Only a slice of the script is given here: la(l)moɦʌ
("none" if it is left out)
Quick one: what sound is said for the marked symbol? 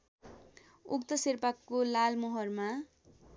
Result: l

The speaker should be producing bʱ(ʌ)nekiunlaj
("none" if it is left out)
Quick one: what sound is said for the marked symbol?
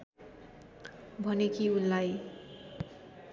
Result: ʌ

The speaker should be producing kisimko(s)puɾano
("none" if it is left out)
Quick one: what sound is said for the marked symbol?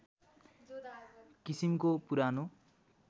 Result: none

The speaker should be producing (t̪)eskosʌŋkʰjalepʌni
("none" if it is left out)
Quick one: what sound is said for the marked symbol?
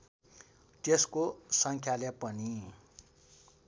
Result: t̪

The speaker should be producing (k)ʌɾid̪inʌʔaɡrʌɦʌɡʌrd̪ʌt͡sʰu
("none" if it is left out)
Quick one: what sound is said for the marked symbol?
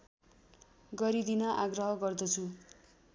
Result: ɡ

